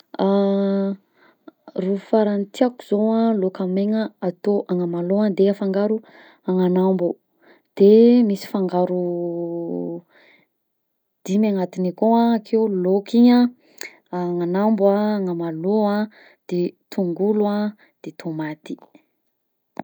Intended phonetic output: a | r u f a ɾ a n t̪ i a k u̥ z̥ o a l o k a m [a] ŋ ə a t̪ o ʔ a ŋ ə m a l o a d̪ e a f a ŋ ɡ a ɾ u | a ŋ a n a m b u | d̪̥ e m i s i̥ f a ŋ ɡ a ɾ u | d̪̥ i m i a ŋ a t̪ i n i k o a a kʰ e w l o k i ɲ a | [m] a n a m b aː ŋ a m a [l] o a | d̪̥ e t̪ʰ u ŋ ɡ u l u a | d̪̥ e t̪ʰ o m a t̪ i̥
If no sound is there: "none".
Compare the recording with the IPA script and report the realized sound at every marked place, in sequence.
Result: e, ŋ, l

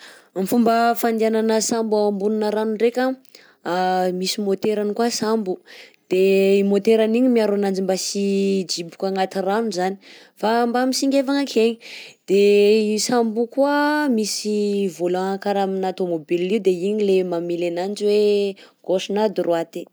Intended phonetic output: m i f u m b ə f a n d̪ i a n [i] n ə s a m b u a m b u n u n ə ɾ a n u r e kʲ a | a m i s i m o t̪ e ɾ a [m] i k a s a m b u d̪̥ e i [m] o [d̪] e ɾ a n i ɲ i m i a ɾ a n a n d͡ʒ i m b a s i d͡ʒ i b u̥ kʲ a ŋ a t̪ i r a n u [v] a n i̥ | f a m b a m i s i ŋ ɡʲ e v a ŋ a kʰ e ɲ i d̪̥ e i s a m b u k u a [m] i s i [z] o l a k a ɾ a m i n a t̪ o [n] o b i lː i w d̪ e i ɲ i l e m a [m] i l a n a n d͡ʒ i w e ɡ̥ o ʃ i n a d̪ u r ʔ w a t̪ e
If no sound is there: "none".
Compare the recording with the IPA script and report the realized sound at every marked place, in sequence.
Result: a, n, m, t̪, z, m, v, m, m

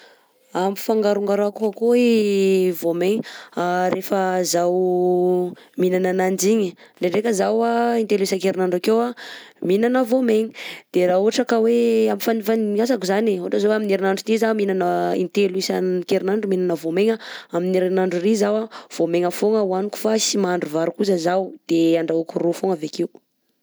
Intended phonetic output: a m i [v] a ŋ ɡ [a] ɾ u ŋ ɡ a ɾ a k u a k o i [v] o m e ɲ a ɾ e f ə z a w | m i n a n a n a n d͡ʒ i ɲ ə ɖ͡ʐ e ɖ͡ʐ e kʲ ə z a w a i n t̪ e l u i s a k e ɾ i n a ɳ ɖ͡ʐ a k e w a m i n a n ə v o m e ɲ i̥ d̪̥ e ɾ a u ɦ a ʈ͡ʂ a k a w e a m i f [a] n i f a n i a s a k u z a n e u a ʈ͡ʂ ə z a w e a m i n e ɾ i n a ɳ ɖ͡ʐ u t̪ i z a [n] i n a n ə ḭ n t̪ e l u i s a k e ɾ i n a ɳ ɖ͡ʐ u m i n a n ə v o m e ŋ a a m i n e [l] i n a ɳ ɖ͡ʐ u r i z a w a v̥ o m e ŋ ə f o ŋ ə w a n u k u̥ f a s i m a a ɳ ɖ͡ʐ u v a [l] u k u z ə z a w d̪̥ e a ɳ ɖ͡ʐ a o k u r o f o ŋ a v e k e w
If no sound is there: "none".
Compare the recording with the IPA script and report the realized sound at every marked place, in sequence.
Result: f, a, v, a, m, ɾ, ɾ

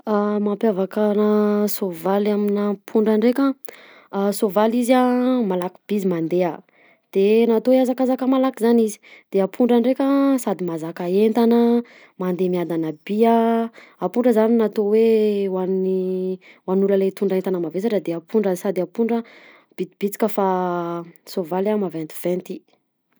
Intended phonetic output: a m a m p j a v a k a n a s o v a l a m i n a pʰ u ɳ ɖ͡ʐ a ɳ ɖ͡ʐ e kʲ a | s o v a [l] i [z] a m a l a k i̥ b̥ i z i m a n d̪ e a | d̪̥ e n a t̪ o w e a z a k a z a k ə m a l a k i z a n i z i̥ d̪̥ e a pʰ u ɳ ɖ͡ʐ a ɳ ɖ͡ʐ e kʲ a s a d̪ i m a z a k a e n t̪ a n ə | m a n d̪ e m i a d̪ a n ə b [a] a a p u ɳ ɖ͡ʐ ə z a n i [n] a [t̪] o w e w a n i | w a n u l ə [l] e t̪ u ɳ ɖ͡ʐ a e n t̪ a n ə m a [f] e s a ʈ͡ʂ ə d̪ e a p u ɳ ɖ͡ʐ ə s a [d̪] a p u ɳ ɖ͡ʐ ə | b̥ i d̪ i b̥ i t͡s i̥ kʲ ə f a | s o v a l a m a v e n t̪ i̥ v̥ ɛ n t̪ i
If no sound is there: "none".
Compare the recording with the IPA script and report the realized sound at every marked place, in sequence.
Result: l, z, i, n, t̪, l, v, d̪

